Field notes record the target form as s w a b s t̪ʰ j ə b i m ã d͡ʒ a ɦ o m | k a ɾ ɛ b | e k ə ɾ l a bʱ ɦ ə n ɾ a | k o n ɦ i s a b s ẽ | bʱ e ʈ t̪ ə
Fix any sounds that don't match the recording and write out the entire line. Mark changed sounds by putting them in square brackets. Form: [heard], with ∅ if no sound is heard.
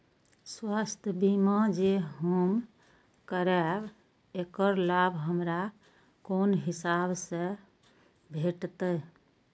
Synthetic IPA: s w a [∅] s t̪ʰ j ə b i m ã d͡ʒ [e] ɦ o m | k [ə] ɾ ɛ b | e k ə ɾ l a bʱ ɦ ə [m] ɾ a | k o n ɦ i s a b s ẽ | bʱ e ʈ t̪ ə